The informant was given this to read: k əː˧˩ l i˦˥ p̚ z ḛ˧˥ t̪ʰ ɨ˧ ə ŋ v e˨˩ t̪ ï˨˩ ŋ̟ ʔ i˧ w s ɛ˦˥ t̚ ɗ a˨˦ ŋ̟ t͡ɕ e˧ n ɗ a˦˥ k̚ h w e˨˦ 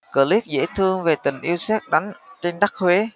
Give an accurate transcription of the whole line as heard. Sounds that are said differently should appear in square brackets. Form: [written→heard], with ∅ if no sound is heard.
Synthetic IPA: k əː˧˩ l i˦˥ p̚ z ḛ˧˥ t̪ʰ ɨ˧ ə ŋ v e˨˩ t̪ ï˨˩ ŋ̟ ʔ i˧ w s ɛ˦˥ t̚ ɗ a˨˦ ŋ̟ t͡ɕ e˧ n ɗ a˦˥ k̚ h w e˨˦

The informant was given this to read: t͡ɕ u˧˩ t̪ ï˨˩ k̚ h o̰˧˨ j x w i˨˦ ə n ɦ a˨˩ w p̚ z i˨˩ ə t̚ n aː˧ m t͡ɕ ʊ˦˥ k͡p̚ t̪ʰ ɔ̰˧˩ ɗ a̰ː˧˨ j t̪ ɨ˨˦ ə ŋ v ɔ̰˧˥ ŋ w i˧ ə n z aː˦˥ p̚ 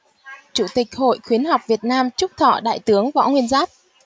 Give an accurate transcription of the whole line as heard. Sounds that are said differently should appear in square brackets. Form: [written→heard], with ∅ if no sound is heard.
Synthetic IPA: t͡ɕ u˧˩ t̪ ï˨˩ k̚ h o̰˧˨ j x w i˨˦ ə n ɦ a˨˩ w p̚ [z→v] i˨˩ ə t̚ n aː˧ m t͡ɕ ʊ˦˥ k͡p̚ t̪ʰ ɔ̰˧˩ ɗ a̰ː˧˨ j t̪ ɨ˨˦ ə ŋ v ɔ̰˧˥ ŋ w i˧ ə n z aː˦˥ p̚

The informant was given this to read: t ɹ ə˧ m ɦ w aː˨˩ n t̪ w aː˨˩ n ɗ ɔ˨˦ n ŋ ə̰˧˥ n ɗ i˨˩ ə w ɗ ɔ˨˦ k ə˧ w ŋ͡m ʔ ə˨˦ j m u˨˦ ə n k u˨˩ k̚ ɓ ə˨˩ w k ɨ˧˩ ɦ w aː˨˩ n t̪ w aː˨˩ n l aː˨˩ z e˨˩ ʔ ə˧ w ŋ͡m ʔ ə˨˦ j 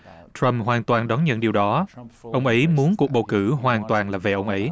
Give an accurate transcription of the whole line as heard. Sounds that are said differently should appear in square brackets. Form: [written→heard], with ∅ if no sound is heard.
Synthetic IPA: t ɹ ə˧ m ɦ w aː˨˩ n t̪ w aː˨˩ n ɗ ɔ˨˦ n [ŋ→ɲ] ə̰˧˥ n ɗ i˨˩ ə w ɗ ɔ˨˦ [k→ʔ] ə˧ w ŋ͡m ʔ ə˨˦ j m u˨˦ ə n k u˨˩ k̚ ɓ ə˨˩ w k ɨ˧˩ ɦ w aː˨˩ n t̪ w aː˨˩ n l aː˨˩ [z→v] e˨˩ ʔ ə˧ w ŋ͡m ʔ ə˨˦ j

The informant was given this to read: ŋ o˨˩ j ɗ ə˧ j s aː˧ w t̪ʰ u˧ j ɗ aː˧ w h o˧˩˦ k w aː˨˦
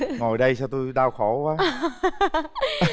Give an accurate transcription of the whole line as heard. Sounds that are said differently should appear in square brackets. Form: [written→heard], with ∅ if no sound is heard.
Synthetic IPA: ŋ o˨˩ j ɗ ə˧ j s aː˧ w [t̪ʰ→t̪] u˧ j ɗ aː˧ w [h→x] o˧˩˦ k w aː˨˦

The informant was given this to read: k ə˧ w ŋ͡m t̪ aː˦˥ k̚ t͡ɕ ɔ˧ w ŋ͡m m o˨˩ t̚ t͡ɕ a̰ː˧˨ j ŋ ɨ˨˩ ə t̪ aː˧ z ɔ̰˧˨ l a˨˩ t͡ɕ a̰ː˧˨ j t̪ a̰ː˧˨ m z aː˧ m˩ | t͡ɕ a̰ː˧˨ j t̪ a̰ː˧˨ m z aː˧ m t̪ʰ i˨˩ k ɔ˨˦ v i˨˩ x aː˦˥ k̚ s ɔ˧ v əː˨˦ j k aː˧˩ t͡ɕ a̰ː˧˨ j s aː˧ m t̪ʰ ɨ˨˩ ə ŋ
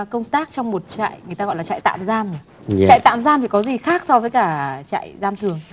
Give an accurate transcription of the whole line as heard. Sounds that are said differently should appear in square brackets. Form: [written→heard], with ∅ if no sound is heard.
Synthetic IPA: k ə˧ w ŋ͡m t̪ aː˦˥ k̚ t͡ɕ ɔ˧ w ŋ͡m m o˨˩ t̚ t͡ɕ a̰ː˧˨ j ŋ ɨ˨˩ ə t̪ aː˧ [z→ɣ] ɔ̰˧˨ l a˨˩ t͡ɕ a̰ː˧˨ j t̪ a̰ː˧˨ m z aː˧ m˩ | t͡ɕ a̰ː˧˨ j t̪ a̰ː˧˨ m z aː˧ m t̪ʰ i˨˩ k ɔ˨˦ [v→z] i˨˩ x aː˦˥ k̚ s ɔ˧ v əː˨˦ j k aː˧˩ t͡ɕ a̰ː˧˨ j [s→z] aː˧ m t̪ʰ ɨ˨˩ ə ŋ

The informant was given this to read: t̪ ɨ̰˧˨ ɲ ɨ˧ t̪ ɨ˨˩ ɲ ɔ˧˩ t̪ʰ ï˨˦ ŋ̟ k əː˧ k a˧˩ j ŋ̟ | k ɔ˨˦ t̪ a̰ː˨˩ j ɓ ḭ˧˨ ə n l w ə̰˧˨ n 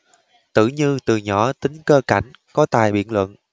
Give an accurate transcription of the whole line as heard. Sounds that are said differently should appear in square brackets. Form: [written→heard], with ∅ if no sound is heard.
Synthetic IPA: t̪ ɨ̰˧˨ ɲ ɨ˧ t̪ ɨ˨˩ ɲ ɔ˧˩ [t̪ʰ→t̪] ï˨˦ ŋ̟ k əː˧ k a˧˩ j ŋ̟ | k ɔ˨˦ t̪ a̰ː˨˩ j ɓ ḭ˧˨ ə n l w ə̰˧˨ n

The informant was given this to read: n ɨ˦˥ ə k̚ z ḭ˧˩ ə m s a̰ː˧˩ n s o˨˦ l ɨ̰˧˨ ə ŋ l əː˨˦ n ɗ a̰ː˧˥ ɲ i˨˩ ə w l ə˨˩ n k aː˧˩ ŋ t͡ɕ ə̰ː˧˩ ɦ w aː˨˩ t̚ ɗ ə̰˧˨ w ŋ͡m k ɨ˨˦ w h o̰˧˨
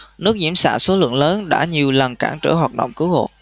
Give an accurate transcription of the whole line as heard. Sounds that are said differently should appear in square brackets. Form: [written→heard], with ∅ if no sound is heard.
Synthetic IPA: n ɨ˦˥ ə k̚ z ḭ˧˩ ə m s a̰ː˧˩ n s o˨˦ l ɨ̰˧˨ ə ŋ l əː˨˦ n ɗ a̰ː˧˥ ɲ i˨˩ ə w l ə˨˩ n k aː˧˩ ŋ t͡ɕ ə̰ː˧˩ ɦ w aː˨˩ t̚ ɗ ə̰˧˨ w ŋ͡m k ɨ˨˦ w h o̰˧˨

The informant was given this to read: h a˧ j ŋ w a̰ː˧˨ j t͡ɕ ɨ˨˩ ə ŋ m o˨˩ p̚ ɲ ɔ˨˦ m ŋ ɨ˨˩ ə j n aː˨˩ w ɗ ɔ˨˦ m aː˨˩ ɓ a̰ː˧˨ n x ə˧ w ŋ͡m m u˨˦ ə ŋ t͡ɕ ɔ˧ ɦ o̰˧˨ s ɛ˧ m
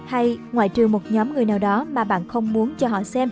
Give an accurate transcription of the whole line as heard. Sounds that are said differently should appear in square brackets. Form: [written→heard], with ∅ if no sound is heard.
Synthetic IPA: h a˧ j ŋ w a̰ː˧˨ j t͡ɕ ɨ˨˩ ə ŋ m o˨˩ [p̚→t̚] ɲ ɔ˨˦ m ŋ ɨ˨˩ ə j n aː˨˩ w ɗ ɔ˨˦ m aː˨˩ ɓ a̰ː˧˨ n x ə˧ w ŋ͡m m u˨˦ ə [ŋ→n] t͡ɕ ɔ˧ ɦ [o̰˧˨→ɔ̰˧˨] s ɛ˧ m

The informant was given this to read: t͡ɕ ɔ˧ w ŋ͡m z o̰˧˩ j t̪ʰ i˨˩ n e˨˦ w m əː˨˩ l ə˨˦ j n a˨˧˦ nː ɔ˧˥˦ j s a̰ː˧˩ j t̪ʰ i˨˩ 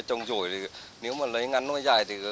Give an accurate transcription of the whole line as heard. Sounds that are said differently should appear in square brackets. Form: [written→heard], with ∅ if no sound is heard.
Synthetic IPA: t͡ɕ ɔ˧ w ŋ͡m z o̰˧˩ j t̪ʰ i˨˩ n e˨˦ w m [əː˨˩→aː˨˩] l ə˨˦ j [n→ŋ] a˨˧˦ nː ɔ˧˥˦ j [s→z] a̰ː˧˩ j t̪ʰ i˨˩

